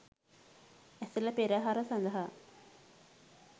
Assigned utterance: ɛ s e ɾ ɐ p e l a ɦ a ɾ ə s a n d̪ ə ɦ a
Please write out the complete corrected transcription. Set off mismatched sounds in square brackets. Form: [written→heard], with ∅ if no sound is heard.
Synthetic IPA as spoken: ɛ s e [ɾ→l] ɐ p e [l→ɾ] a ɦ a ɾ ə s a n d̪ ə ɦ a